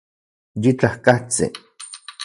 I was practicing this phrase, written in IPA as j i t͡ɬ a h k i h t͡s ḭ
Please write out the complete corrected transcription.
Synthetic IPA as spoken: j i t͡ɬ a h k a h t͡s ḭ